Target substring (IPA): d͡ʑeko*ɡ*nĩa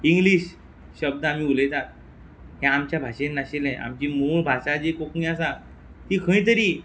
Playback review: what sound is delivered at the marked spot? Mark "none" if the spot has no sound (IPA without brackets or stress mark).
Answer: k